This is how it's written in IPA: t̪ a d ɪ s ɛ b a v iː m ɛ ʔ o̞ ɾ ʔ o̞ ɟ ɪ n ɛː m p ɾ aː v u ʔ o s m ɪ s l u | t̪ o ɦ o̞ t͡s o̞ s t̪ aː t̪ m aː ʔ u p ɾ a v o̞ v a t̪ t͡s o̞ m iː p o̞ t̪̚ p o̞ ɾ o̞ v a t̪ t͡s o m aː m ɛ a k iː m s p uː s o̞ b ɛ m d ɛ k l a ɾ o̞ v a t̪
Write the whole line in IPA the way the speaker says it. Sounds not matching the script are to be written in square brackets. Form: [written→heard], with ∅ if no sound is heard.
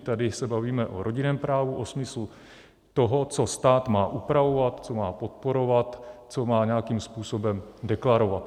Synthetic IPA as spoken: t̪ a d ɪ s ɛ b a v iː m ɛ ʔ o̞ ɾ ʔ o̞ ɟ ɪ n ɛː m p ɾ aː v u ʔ o s m ɪ s l u | t̪ o ɦ o̞ t͡s o̞ s t̪ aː t̪ m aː ʔ u p ɾ a v o̞ v a t̪ t͡s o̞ m [iː→aː] p o̞ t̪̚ p o̞ ɾ o̞ v a t̪ t͡s o m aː [m→ɲ] ɛ a k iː m s p uː s o̞ b ɛ m d ɛ k l a ɾ o̞ v a t̪